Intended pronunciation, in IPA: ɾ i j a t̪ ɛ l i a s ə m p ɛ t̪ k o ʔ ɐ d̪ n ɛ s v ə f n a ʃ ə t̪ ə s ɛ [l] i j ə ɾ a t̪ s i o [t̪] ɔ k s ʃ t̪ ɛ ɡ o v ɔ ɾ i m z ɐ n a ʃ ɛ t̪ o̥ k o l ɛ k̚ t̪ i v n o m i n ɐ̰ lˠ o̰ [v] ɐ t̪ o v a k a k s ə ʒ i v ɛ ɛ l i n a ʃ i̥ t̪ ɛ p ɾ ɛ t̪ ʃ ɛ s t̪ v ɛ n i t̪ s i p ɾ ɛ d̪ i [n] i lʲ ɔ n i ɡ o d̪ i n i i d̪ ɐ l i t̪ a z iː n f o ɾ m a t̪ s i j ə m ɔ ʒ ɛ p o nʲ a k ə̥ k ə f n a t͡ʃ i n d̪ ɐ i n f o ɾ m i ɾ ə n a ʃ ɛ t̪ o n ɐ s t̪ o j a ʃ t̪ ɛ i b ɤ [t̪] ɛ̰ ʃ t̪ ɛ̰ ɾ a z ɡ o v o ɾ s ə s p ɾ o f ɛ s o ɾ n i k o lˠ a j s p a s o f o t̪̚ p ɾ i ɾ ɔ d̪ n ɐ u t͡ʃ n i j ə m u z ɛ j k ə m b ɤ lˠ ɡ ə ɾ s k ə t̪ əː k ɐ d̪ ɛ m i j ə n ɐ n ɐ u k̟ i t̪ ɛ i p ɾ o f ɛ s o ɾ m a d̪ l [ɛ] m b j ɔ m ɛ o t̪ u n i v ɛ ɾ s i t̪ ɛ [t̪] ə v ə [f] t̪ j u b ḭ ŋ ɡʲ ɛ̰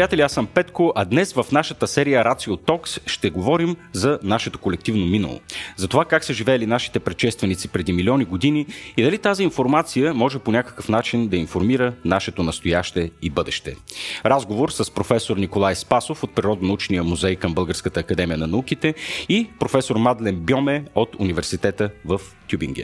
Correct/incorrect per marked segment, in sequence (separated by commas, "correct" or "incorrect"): incorrect, correct, incorrect, incorrect, incorrect, correct, correct, correct